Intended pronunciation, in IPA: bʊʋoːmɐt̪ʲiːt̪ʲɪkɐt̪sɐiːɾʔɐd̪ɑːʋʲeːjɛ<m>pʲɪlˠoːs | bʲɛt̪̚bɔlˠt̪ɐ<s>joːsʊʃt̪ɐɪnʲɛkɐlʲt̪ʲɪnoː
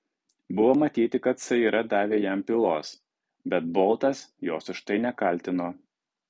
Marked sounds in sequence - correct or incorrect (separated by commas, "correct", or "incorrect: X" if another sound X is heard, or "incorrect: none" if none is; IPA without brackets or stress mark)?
correct, correct